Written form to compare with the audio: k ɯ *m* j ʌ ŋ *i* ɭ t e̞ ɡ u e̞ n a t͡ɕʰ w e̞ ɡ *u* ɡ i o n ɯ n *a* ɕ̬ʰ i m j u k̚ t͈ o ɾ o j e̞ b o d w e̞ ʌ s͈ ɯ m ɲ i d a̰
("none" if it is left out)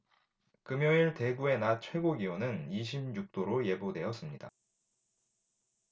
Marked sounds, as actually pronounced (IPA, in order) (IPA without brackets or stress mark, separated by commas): m, i, o, i